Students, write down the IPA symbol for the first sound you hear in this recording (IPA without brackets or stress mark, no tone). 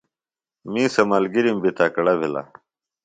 m